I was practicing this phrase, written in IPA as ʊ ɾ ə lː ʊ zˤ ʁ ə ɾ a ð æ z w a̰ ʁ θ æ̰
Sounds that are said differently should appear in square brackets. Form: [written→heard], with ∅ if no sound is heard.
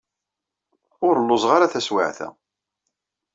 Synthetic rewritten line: ʊ ɾ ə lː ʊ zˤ ʁ [ə→a] ɾ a [ð→θ] æ [z→s] w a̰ [ʁ→ʕ] θ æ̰